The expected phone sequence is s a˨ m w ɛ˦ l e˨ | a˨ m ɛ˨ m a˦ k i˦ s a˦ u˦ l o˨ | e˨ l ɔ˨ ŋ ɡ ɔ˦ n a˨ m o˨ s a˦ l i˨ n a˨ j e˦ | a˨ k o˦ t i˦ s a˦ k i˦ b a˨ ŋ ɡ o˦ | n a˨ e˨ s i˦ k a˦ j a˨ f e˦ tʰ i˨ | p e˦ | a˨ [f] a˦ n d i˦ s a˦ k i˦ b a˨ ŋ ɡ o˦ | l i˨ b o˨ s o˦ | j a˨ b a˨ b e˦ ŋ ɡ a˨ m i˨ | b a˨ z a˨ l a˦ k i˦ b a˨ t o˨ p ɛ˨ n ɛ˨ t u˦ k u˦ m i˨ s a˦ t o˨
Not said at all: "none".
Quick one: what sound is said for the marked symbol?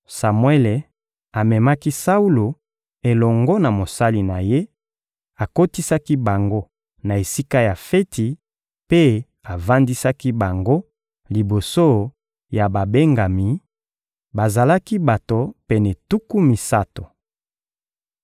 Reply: v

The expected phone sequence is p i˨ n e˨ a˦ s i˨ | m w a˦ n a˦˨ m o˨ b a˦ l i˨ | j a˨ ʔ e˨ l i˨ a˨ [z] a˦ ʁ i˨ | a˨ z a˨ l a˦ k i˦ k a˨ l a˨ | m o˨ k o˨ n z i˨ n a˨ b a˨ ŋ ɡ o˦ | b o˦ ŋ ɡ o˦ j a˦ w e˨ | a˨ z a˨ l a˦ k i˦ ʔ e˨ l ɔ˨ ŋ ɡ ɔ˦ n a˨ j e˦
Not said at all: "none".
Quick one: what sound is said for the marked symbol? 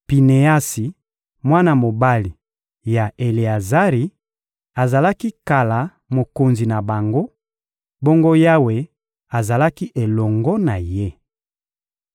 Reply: z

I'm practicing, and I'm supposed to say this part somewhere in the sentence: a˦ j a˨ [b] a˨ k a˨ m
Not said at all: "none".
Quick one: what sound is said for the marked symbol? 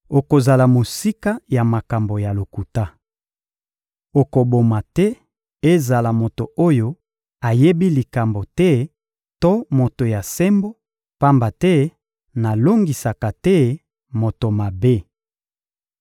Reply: m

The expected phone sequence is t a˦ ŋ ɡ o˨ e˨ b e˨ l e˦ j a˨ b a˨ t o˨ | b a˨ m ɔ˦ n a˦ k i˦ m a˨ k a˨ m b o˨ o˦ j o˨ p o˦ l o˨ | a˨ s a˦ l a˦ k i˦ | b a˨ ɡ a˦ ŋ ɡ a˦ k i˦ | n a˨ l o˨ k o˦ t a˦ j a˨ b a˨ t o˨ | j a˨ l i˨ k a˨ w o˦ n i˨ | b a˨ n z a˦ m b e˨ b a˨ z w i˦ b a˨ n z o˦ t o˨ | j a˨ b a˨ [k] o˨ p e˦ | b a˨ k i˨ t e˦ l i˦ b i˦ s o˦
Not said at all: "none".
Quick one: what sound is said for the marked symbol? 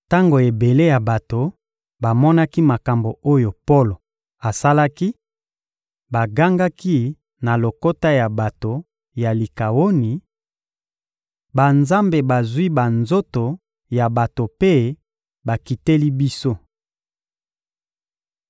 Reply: t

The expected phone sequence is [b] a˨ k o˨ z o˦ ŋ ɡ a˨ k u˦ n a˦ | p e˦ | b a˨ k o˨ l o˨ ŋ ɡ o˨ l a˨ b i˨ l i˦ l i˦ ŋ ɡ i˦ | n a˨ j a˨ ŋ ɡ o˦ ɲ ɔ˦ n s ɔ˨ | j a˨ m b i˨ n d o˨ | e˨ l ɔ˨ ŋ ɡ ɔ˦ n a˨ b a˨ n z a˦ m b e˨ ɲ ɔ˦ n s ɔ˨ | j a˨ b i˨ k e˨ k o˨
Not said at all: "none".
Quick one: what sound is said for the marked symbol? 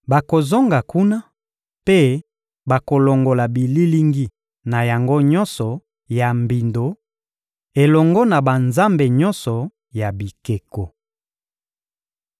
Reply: b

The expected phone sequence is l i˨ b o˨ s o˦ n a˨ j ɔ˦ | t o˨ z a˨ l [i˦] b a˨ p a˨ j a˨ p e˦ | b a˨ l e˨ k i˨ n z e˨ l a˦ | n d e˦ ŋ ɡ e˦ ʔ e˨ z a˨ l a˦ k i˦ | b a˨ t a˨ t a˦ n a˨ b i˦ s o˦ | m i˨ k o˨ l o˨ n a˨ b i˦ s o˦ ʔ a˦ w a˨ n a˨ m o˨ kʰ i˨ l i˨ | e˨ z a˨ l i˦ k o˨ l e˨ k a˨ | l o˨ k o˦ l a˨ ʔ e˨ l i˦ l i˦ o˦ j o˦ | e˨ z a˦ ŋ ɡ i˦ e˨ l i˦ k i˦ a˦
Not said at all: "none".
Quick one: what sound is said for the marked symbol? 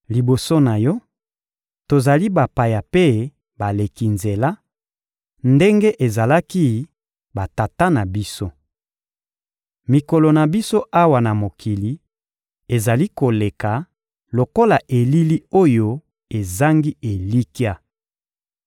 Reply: i˦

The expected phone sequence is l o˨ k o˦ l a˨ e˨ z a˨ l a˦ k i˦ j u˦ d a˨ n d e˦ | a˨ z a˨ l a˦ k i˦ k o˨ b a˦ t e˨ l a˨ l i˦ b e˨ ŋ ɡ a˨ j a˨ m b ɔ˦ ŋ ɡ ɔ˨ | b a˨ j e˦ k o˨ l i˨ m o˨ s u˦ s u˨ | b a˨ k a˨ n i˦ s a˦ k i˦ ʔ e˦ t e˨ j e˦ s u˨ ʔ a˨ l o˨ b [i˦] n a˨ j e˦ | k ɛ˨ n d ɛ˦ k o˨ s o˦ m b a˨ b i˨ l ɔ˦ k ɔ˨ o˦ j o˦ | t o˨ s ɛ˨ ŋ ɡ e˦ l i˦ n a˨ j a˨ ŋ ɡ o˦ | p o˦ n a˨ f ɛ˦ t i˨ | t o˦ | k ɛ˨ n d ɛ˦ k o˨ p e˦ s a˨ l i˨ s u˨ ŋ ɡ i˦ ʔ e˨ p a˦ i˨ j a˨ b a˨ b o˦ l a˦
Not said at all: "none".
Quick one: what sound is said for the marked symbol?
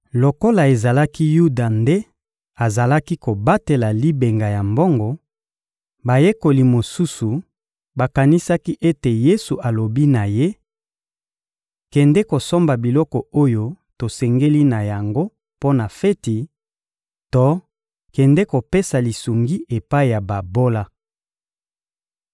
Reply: i˦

